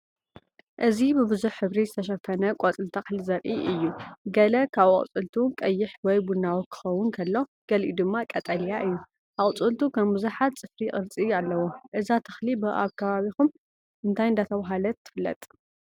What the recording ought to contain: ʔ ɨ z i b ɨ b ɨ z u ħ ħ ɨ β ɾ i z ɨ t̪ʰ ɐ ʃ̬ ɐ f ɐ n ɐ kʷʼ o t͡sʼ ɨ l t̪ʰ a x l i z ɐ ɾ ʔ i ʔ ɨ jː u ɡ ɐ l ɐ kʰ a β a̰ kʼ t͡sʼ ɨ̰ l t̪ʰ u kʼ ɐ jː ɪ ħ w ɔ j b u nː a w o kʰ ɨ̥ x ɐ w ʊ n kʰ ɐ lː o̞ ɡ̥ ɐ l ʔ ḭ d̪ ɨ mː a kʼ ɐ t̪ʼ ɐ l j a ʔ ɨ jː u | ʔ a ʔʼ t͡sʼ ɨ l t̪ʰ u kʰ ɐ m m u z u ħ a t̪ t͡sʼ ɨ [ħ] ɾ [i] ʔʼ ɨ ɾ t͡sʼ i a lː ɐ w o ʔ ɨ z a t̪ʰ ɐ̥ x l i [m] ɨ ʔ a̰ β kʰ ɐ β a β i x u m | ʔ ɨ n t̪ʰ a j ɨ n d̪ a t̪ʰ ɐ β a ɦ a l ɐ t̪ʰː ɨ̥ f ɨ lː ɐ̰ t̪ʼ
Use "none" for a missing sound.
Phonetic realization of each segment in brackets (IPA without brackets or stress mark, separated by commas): f, i, b